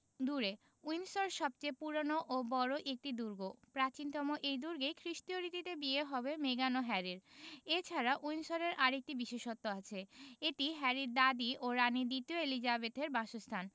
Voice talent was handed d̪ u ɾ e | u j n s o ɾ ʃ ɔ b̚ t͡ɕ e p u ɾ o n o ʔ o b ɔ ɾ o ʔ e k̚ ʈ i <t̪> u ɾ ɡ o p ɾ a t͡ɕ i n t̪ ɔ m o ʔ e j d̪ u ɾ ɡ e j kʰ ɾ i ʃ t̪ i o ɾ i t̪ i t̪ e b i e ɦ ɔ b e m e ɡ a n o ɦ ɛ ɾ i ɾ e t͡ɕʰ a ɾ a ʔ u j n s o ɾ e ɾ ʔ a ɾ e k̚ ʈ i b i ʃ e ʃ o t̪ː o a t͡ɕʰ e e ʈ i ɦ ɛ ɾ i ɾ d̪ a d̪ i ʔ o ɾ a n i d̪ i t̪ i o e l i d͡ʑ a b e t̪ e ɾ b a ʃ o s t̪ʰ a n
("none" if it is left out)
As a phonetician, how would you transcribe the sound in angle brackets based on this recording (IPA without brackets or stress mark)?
d̪